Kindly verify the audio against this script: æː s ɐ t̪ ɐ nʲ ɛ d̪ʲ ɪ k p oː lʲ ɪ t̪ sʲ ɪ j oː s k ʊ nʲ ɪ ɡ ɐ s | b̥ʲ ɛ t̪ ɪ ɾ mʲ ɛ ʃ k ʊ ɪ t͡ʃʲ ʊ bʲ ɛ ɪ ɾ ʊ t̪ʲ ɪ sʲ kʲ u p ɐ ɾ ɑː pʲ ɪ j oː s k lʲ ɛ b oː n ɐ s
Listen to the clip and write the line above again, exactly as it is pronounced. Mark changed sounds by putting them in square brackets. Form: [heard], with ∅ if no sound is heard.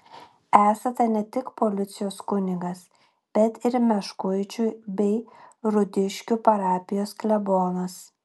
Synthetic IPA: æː s ɐ t̪ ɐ nʲ ɛ [t̪ʲ] ɪ k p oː lʲ ɪ t̪ sʲ ɪ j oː s k ʊ nʲ ɪ ɡ ɐ s | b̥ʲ ɛ t̪ ɪ ɾ mʲ ɛ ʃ k ʊ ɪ t͡ʃʲ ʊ bʲ ɛ ɪ ɾ ʊ [d̪ʲ] ɪ [ʃʲ] kʲ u p ɐ ɾ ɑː pʲ ɪ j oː s k lʲ ɛ b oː n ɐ s